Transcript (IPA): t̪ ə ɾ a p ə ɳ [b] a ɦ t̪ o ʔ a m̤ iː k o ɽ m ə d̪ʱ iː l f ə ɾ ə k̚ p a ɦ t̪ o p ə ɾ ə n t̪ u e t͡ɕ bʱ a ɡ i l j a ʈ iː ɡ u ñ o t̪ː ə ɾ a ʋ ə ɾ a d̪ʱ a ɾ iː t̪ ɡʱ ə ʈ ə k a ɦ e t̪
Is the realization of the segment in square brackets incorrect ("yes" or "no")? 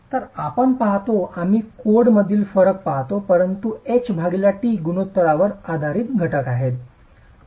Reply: yes